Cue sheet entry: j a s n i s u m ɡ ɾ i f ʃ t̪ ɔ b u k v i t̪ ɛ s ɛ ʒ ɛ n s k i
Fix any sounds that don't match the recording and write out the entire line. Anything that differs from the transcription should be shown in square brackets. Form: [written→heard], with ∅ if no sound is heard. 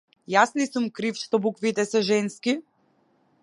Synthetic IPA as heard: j a s n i s u m [ɡ→k] ɾ i f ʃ t̪ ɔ b u k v i t̪ ɛ s ɛ ʒ ɛ n s k i